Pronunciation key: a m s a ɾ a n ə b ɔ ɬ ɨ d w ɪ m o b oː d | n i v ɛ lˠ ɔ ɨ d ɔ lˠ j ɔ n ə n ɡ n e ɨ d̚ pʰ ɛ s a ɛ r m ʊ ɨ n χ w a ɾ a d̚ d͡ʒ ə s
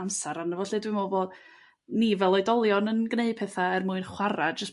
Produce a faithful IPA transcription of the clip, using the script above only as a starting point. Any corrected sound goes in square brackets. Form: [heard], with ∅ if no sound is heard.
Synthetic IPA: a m s a ɾ a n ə [v] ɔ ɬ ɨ d w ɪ m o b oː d | n i v ɛ lˠ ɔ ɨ d ɔ lˠ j ɔ n ə n ɡ n e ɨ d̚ pʰ ɛ [θ] a ɛ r m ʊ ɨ n χ w a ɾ a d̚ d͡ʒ ə s